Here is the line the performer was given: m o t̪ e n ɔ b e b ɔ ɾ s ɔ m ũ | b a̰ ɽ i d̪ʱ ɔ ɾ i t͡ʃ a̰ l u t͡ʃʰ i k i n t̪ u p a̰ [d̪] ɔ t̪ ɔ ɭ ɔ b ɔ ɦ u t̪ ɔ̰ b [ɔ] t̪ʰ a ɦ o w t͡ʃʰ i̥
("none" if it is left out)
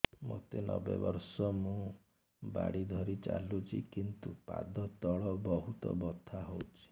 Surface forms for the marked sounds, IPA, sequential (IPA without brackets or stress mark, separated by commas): d̪, ɔ